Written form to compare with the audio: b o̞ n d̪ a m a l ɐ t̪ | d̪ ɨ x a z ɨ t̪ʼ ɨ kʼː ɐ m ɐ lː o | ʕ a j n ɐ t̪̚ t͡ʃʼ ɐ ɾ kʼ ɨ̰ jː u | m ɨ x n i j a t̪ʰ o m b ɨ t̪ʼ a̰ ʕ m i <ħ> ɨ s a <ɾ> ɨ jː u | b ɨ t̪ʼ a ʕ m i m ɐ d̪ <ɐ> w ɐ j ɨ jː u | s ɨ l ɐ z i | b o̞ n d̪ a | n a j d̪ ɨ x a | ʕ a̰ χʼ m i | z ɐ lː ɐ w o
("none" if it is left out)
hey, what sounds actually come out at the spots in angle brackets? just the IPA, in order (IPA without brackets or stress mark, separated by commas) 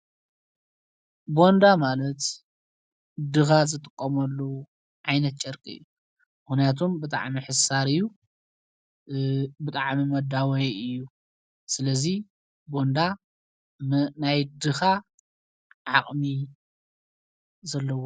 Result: ħ, ɾ, a